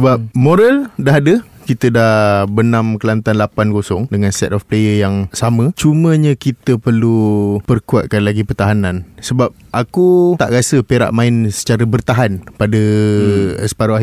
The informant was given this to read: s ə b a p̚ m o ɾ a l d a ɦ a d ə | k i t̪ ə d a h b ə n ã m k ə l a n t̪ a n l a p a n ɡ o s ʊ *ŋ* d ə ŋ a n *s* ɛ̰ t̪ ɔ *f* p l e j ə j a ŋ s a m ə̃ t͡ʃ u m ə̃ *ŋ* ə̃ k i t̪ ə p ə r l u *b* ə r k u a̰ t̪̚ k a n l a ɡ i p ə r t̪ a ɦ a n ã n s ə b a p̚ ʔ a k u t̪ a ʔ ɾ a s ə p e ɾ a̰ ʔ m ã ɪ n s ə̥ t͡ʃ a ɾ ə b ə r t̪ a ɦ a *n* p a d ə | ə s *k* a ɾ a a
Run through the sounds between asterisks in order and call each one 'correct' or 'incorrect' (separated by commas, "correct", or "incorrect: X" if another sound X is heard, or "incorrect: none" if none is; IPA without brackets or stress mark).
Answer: correct, correct, correct, incorrect: ɲ, incorrect: p, correct, incorrect: p